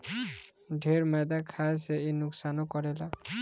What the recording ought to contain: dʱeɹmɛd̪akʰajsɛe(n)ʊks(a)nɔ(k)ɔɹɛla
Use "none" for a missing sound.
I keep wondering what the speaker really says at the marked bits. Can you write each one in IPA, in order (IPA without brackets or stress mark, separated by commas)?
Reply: n, a, k